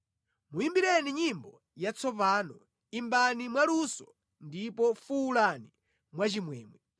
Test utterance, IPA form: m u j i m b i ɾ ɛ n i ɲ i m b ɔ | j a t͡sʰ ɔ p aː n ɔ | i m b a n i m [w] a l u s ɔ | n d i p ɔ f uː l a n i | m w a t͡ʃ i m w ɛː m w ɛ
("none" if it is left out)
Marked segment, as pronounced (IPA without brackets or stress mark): w